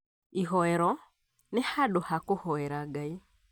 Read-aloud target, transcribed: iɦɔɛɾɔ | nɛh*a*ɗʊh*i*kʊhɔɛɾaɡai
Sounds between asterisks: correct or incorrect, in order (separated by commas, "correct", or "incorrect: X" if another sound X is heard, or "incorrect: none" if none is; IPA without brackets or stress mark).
correct, incorrect: a